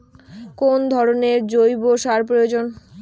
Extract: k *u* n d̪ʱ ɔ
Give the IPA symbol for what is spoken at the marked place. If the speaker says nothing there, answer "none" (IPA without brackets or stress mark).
o